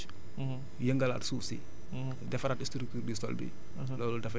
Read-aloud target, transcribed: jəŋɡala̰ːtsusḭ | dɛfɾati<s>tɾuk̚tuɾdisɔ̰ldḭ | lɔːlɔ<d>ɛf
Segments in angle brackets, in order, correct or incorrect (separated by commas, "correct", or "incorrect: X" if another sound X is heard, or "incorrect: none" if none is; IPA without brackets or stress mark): correct, correct